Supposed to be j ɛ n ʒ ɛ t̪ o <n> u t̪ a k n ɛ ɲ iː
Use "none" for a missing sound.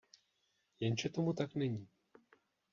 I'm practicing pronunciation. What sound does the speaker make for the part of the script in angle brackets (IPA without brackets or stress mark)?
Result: m